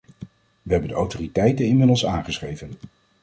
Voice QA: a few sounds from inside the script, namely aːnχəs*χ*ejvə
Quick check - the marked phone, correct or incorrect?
correct